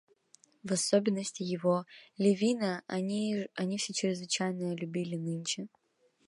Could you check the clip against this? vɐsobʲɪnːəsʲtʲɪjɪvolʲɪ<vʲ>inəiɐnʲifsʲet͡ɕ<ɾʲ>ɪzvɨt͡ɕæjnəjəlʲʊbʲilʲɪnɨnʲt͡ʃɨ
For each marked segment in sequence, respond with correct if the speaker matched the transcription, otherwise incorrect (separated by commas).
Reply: correct, correct